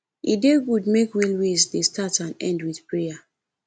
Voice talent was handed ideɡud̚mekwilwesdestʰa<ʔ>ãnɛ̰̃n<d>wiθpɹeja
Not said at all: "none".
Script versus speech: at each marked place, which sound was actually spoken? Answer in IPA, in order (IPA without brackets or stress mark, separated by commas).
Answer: t, d